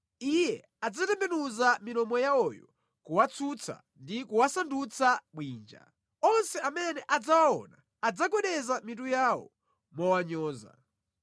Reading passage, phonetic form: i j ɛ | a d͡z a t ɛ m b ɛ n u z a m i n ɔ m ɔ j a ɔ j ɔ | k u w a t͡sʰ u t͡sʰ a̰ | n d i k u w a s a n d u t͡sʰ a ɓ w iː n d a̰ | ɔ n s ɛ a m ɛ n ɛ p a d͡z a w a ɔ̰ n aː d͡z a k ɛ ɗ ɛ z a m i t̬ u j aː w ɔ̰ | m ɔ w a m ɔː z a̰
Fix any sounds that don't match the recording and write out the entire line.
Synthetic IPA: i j ɛ | a d͡z a t ɛ m b ɛ n u z a m i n ɔ m ɔ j a ɔ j ɔ | k u w a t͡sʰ u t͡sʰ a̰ | n d i k u w a s a n d u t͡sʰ a ɓ w iː n d͡ʒ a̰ | ɔ n s ɛ a m ɛ n ɛ ʔ a d͡z a w a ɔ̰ n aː d͡z a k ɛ ɗ ɛ z a m i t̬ u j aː w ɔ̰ | m ɔ w a ɲ ɔː z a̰